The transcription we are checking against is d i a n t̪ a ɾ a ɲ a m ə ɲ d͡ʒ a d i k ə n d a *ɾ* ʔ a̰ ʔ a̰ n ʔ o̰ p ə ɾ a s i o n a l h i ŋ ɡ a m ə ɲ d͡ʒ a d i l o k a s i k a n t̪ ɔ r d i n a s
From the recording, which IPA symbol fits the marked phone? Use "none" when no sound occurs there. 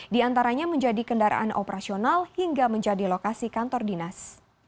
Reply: ɾ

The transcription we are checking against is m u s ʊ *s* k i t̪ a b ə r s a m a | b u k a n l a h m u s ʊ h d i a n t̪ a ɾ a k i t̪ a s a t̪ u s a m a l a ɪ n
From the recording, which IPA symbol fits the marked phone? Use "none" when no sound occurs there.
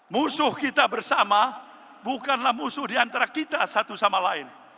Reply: h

